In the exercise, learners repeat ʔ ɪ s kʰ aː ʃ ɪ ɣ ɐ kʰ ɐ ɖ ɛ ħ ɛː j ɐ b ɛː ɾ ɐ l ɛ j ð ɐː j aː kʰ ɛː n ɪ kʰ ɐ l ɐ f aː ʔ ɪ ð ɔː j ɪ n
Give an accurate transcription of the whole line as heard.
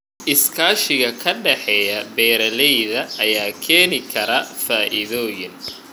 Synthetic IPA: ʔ ɪ s kʰ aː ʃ ɪ ɣ ɐ kʰ ɐ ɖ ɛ ħ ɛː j ɐ b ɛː ɾ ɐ l ɛ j ð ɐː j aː kʰ ɛː n ɪ kʰ ɐ ɾ ɐ f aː ʔ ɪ ð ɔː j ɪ n

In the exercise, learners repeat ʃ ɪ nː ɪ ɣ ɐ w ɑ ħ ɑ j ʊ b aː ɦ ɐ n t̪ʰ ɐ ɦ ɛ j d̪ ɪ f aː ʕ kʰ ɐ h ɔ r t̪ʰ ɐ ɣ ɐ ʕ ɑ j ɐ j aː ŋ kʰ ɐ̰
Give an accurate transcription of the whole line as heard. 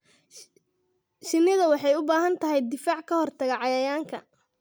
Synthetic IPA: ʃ ɪ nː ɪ ð ɐ w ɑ ħ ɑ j ʊ b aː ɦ ɐ n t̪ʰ ɐ ɦ ɛ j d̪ ɪ f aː ʕ kʰ ɐ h ɔ r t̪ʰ ɐ ɣ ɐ ʕ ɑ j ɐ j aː ŋ kʰ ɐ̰

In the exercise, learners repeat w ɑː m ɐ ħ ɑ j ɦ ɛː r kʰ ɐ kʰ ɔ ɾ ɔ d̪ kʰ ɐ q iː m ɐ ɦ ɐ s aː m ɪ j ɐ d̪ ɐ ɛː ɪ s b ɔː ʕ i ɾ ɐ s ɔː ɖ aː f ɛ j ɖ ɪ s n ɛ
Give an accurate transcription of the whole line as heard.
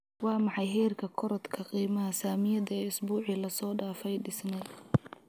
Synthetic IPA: w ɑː m ɑ ħ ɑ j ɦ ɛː r kʰ ɐ kʰ ɔ ɾ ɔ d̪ kʰ ɐ q iː m ɐ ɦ ɐ s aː m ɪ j ɐ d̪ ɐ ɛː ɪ s b uː ʕ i l ɐ s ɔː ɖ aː f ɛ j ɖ ɪ s n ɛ

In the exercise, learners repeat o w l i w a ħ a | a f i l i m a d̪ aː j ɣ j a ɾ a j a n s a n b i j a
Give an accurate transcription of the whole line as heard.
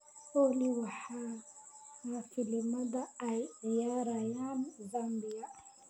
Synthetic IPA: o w l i w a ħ a | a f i l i m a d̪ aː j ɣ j a ɾ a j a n z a m b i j a

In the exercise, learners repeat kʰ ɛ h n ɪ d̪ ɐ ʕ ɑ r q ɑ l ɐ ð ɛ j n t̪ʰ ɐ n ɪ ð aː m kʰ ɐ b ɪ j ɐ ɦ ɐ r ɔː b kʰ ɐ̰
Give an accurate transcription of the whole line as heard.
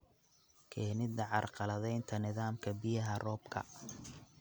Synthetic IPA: kʰ ɛ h n ɪ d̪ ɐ ʕ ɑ r q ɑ l ɐ ð ɛ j n t̪ʰ ɐ n ɪ ð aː m kʰ ɐ b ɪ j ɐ ɦ ɐ r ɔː b kʰ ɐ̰

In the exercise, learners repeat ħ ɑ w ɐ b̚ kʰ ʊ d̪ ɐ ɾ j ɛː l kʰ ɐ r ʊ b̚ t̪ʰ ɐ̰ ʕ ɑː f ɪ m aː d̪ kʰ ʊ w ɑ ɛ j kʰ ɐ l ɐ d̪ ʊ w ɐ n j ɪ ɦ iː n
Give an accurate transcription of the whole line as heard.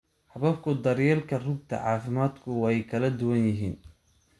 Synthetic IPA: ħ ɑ β ɐ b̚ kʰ ʊ d̪ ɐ ɾ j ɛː l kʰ ɐ r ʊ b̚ t̪ʰ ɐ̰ ʕ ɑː f ɪ m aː d̪ kʰ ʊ w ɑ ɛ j kʰ ɐ l ɐ d̪ ʊ w ɐ n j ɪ ɦ iː n

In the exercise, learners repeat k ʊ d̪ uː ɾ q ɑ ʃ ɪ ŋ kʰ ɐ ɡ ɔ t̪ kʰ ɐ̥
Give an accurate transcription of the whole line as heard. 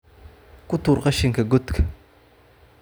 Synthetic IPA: k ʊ t̪ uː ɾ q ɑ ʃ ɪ ŋ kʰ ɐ ɡ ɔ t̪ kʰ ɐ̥

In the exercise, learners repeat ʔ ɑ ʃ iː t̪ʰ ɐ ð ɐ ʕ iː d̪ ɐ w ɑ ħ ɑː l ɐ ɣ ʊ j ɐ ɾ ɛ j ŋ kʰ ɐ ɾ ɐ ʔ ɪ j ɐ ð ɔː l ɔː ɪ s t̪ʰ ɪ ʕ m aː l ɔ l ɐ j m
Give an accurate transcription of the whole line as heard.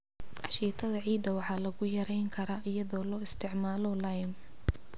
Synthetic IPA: ʔ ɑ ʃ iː t̪ʰ ɐ ð ɐ ʕ iː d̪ ɐ w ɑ ħ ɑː l ɐ ɣ ʊ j ɐ ɾ ɛ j ŋ kʰ ɐ ɾ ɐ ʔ ɪ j ɐ ð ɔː l ɔː ɪ s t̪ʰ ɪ ʕ m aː l ɔ l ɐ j m

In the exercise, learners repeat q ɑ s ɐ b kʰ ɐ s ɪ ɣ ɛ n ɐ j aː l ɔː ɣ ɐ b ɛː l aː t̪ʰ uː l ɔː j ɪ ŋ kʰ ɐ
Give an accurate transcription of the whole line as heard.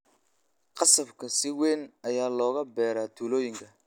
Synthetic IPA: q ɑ s ɐ b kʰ ɐ s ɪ w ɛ n ɐ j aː l ɔː ɣ ɐ b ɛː ɾ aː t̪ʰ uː l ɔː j ɪ ŋ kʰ ɐ

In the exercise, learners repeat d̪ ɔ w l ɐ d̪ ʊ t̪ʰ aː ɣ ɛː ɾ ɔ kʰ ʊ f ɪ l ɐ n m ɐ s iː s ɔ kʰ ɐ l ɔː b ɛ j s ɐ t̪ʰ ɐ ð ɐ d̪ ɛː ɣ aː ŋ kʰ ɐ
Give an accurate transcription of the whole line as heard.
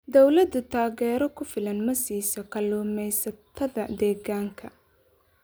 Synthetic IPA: d̪ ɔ w l ɐ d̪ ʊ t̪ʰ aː ɣ ɛː ɾ ɔ kʰ ʊ f ɪ l ɐ n m ɐ s iː s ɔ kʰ ɐ l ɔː m ɛ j s ɐ t̪ʰ ɐ ð ɐ d̪ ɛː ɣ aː ŋ kʰ ɐ

